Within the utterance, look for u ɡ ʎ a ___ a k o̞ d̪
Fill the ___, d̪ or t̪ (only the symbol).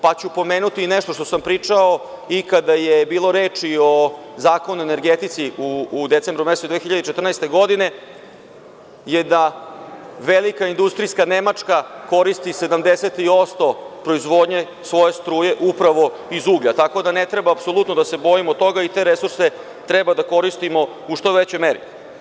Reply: t̪